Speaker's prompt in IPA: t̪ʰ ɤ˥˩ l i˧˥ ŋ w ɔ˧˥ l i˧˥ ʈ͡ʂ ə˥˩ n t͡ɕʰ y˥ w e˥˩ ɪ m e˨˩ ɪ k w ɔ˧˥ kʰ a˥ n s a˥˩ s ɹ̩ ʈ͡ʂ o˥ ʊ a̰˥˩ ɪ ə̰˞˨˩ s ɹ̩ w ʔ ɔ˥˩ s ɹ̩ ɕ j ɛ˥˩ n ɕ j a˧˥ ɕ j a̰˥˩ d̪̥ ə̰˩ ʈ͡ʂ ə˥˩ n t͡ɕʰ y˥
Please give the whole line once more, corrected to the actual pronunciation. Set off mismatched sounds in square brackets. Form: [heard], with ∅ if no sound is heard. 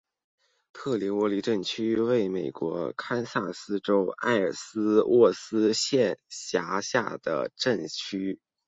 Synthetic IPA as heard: t̪ʰ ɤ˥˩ l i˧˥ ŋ w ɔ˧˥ l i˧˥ ʈ͡ʂ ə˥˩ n t͡ɕʰ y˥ w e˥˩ ɪ m e˨˩ ɪ k w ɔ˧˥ kʰ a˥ n s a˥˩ s ɹ̩ ʈ͡ʂ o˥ ʊ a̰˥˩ ɪ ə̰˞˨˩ s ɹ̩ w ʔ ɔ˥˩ s ɹ̩ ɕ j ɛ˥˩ n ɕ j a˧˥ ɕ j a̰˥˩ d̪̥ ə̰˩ ʈ͡ʂ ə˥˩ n t͡ɕʰ y˥

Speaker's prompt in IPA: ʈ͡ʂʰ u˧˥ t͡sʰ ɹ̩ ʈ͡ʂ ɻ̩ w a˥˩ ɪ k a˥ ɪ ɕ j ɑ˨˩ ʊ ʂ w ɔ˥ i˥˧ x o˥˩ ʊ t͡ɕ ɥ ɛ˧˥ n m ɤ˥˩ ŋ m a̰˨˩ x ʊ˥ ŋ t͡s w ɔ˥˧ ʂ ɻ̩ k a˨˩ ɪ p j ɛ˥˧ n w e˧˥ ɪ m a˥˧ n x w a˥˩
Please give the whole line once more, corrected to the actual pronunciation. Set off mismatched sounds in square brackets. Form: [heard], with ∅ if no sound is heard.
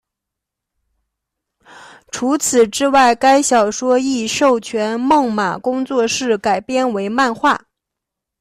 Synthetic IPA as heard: ʈ͡ʂʰ u˧˥ t͡sʰ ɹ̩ ʈ͡ʂ ɻ̩ w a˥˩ ɪ k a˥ ɪ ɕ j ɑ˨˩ ʊ ʂ w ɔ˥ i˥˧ [ʂ] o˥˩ ʊ [t͡ɕʰ] ɥ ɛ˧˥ n m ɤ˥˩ ŋ m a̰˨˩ [k] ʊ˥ ŋ t͡s w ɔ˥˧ ʂ ɻ̩ k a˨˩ ɪ p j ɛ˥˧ n w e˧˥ ɪ m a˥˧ n x w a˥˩

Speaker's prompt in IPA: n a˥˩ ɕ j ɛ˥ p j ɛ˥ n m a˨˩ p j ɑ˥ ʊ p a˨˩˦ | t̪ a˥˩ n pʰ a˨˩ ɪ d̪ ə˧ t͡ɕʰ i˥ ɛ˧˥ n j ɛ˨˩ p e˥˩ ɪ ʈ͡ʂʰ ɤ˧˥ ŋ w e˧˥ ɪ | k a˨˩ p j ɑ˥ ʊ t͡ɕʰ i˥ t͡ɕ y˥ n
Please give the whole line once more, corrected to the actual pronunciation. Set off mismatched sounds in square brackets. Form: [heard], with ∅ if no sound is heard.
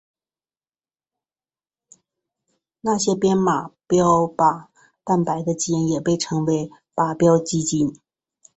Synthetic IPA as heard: n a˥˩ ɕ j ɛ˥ p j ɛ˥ n m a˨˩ p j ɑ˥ ʊ p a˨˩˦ | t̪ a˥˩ n [p] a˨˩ ɪ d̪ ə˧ [t͡ɕ] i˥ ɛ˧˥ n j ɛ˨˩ p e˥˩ ɪ ʈ͡ʂʰ ɤ˧˥ ŋ w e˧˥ ɪ | [p] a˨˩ p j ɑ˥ ʊ [t͡ɕ] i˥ t͡ɕ [i˥] n

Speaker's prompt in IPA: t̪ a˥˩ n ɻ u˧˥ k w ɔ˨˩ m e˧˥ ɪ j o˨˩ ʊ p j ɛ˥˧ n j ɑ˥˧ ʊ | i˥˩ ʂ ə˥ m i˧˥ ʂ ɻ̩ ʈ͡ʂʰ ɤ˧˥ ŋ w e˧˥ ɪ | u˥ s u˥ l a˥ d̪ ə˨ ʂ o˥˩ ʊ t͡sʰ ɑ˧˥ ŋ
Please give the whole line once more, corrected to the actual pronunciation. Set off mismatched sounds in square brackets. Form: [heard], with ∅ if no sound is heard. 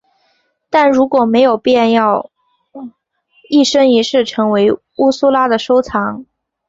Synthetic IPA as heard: t̪ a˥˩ n ɻ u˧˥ k w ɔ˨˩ m e˧˥ ɪ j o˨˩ ʊ p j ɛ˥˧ n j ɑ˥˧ ʊ | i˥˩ ʂ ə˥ [ŋ] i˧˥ ʂ ɻ̩ ʈ͡ʂʰ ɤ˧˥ ŋ w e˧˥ ɪ | u˥ s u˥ l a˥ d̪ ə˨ ʂ [o˥] ʊ t͡sʰ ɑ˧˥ ŋ

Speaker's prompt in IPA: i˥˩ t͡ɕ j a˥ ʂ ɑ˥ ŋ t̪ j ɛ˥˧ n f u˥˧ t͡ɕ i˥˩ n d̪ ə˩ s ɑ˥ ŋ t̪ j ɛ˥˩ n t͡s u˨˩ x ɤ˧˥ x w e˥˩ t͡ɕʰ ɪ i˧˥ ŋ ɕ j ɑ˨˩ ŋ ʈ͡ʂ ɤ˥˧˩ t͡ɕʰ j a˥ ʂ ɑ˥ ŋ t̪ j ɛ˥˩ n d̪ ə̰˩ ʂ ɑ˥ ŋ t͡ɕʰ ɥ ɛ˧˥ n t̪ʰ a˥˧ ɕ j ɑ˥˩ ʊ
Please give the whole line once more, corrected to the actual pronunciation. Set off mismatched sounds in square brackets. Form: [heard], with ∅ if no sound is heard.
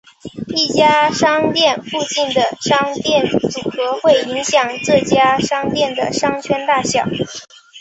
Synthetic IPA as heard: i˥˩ t͡ɕ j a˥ ʂ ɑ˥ ŋ t̪ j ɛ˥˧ n f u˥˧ t͡ɕ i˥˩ n d̪ ə˩ [ʂ] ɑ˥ ŋ t̪ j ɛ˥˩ n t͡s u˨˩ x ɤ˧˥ x w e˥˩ [∅] ɪ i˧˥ ŋ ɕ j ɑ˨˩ ŋ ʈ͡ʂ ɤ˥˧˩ [t͡ɕ] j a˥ ʂ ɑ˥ ŋ t̪ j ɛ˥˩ n d̪ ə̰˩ ʂ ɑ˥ ŋ t͡ɕʰ ɥ [ɛ˥] n [t̪] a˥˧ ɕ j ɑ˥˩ ʊ

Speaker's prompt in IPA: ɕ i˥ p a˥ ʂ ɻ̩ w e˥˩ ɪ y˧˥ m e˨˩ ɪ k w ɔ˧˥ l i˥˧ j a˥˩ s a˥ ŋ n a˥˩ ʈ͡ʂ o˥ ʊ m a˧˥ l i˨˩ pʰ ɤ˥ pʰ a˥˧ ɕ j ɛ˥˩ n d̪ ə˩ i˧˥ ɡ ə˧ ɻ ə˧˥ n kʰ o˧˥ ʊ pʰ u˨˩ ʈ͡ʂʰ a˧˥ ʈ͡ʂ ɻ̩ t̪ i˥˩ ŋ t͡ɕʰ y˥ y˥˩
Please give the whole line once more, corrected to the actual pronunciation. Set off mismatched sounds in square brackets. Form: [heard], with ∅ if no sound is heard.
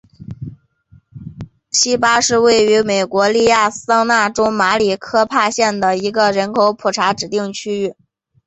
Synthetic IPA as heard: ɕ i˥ p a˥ ʂ ɻ̩ w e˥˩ ɪ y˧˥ m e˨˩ ɪ k w ɔ˧˥ l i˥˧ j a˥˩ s [ɑ˥] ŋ n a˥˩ ʈ͡ʂ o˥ ʊ m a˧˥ l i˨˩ [kʰ] ɤ˥ pʰ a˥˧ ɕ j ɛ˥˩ n d̪ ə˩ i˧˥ ɡ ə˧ ɻ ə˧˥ n kʰ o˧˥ ʊ pʰ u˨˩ ʈ͡ʂʰ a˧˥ ʈ͡ʂ ɻ̩ t̪ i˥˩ ŋ t͡ɕʰ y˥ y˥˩

